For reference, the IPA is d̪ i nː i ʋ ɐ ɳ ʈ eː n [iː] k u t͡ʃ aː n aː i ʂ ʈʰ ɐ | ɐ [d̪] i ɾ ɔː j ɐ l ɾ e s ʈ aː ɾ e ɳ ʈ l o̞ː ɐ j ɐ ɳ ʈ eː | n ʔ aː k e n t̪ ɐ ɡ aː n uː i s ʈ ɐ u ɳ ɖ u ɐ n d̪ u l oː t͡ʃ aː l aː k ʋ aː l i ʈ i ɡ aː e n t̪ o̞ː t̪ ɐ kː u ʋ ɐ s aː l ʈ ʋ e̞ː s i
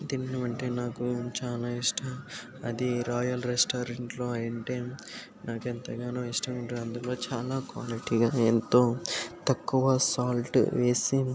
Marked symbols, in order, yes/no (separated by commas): no, yes